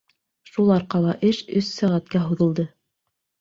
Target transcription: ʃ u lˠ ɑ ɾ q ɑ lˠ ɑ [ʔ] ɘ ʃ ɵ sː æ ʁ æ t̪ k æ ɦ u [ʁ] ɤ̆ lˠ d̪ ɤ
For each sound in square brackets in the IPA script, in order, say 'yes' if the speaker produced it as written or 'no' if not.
yes, no

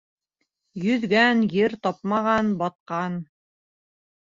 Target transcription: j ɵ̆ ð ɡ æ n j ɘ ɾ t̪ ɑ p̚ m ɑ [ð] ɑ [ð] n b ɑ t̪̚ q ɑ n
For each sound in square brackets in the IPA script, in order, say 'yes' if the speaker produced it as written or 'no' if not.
no, no

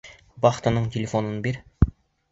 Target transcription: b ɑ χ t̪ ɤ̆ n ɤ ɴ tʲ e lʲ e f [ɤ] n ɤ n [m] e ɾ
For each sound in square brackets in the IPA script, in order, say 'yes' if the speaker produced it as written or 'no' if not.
no, no

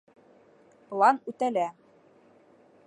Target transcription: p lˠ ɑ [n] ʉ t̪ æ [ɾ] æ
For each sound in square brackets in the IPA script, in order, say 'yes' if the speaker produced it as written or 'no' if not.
yes, no

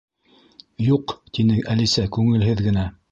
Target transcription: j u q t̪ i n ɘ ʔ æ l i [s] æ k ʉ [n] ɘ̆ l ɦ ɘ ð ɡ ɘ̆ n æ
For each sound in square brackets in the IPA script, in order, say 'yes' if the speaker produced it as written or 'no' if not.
yes, no

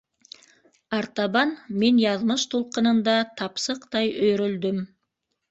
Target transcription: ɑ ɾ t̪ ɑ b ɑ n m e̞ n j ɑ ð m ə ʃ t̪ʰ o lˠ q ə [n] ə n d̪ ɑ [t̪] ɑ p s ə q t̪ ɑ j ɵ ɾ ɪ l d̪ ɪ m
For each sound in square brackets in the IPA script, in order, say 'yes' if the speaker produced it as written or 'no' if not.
yes, no

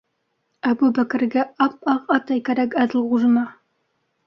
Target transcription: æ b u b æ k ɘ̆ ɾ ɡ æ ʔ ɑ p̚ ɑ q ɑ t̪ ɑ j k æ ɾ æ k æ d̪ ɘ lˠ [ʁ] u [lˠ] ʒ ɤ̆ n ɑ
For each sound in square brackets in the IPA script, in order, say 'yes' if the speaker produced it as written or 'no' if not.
yes, no

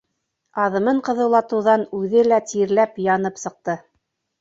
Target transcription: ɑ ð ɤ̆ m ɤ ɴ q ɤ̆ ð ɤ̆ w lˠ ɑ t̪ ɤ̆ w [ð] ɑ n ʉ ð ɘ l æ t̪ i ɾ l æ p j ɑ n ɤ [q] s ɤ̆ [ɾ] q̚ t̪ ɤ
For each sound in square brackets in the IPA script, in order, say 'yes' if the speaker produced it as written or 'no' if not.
yes, no, no

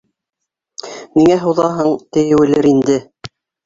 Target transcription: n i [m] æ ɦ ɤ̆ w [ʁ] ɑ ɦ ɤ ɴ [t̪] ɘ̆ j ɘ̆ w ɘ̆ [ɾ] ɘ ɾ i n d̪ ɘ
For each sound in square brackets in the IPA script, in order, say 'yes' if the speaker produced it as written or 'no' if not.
no, no, yes, no

